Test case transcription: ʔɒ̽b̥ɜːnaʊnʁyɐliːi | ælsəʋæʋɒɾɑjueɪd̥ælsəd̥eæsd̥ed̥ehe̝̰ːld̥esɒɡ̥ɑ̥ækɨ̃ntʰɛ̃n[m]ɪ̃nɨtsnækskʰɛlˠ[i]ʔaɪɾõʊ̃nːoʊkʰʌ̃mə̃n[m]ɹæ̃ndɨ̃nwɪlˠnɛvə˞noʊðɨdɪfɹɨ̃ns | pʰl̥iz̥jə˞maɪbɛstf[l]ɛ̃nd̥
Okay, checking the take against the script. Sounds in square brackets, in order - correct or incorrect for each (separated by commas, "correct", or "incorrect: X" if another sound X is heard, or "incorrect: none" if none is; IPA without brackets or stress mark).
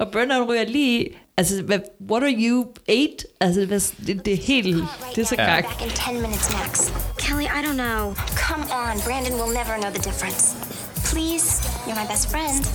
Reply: correct, correct, incorrect: b, incorrect: ɹ